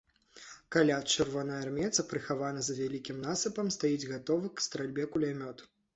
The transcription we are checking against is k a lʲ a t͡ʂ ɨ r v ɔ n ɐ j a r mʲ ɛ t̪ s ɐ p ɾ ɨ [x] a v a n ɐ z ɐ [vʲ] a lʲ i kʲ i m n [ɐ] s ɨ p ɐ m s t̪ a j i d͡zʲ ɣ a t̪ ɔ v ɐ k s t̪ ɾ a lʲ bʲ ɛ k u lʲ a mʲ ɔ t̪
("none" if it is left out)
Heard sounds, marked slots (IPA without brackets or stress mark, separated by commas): x, vʲ, a